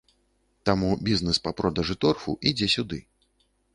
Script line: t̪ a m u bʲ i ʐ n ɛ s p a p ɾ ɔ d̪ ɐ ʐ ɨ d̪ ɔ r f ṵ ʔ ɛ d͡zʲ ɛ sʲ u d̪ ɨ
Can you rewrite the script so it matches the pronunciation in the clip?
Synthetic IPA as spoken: t̪ a m u bʲ i z n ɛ s p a p ɾ ɔ d̪ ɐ ʐ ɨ t̪ ɔ r f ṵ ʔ i d͡zʲ ɛ sʲ u d̪ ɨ